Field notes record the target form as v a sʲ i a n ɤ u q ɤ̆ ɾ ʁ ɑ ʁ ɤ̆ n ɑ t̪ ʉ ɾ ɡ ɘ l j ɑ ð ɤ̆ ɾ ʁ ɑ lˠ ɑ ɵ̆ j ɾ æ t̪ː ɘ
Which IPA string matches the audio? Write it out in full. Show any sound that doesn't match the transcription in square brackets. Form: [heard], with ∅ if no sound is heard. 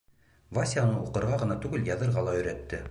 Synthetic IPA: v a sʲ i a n ɤ u q ɤ̆ ɾ ʁ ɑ ʁ ɤ̆ n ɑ t̪ ʉ [∅] ɡ ɘ l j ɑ ð ɤ̆ ɾ ʁ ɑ lˠ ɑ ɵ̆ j ɾ æ t̪ː ɘ

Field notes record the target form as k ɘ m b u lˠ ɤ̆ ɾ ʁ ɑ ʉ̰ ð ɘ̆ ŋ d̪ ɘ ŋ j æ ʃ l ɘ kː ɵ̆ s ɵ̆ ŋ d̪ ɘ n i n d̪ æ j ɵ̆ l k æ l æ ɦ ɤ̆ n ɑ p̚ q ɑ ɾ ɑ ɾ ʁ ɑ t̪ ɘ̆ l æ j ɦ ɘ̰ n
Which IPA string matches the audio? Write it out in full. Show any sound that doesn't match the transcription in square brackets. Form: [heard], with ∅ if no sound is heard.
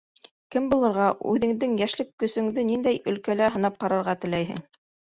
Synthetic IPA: k ɘ m b u lˠ ɤ̆ ɾ ʁ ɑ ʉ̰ ð ɘ̆ ŋ d̪ ɘ ŋ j æ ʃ l ɘ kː ɵ̆ s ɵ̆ ŋ d̪ ɘ n i n d̪ æ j ɵ̆ l k æ l æ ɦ ɤ̆ n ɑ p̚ q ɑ ɾ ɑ ɾ ʁ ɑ t̪ ɘ̆ l æ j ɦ ɘ̰ [ŋ]

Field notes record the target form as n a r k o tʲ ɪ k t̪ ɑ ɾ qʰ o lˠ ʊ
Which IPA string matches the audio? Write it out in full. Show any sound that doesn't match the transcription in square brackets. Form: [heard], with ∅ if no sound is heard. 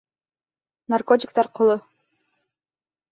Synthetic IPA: n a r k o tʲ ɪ k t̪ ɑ ɾ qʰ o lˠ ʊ

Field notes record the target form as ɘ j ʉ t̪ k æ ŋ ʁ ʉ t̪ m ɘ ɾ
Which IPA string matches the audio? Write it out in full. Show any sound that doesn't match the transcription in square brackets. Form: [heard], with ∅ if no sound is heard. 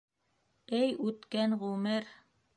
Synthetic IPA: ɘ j ʉ t̪ k æ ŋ ʁ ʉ [∅] m ɘ ɾ

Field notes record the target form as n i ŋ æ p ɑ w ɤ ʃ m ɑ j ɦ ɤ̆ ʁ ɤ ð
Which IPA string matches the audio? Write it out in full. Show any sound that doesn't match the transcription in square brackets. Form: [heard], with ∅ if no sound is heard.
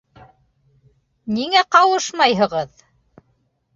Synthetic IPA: n i ŋ æ [q] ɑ w ɤ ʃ m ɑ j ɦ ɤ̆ ʁ ɤ ð

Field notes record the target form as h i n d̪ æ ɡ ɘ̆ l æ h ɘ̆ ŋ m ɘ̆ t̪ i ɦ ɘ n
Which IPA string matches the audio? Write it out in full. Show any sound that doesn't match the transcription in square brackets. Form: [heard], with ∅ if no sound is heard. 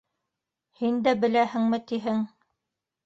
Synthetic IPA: h i n d̪ æ [b] ɘ̆ l æ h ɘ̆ ŋ m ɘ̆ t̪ i ɦ ɘ [ŋ]

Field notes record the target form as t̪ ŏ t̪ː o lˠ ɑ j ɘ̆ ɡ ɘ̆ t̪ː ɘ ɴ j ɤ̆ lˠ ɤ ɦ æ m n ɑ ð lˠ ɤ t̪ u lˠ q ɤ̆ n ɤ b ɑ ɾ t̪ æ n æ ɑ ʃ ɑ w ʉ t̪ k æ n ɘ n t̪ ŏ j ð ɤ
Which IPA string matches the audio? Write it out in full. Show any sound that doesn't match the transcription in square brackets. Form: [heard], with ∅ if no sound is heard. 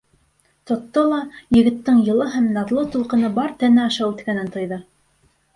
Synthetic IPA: t̪ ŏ t̪ː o lˠ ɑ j ɘ̆ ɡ ɘ̆ t̪ː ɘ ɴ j ɤ̆ lˠ ɤ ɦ æ m n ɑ ð lˠ ɤ t̪ u lˠ q ɤ̆ n ɤ b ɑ ɾ t̪ æ n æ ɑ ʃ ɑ w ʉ t̪ k æ n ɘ n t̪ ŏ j ð ɤ

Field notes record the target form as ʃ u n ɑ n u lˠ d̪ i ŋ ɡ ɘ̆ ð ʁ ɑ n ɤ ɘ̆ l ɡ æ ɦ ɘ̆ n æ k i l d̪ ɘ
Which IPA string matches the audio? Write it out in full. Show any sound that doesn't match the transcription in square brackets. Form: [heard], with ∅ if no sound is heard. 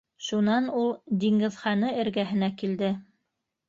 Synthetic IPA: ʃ u n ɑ n u lˠ d̪ i ŋ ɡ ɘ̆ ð [χ] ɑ n ɤ ɘ̆ [ɾ] ɡ æ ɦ ɘ̆ n æ k i l d̪ ɘ

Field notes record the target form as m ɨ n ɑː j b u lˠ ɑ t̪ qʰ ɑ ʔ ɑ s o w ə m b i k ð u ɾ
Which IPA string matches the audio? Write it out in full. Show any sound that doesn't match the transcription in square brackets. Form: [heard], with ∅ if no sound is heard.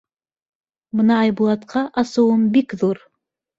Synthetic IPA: m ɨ n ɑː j b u lˠ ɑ t̪ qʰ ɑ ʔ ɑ s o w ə m b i k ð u ɾ

